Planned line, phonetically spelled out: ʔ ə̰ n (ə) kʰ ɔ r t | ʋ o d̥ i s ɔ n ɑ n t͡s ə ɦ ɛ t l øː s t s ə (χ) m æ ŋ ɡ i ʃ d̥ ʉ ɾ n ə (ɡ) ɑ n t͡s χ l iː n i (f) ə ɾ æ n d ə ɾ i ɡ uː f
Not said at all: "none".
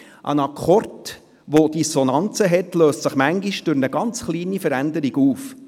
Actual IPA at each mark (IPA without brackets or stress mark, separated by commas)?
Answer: ɑ, χ, ɡ, f